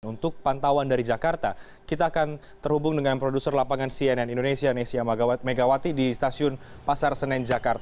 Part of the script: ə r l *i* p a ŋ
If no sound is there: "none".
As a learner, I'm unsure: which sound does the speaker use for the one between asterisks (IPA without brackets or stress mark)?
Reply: a